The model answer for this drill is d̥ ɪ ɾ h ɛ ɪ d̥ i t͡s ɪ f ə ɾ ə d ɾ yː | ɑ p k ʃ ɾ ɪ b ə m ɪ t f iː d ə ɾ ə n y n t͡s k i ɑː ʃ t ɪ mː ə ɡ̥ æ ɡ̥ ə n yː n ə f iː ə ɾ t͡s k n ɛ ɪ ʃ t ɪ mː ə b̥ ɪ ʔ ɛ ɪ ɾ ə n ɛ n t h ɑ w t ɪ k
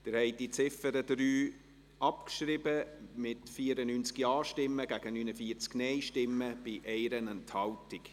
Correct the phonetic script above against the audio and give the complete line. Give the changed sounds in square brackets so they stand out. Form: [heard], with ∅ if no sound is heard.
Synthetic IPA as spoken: d̥ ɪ ɾ h ɛ ɪ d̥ i t͡s ɪ f ə ɾ ə d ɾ yː | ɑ p k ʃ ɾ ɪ b ə m ɪ t f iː [∅] ə ɾ ə n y n t͡s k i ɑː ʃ t ɪ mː ə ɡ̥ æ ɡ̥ ə n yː n ə f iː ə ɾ t͡s k n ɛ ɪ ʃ t ɪ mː ə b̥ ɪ ʔ ɛ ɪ ɾ ə n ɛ n t h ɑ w t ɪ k